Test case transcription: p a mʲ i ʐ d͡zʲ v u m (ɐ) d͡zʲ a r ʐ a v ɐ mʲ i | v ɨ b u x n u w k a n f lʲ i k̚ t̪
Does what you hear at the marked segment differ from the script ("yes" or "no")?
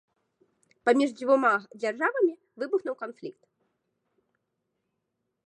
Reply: yes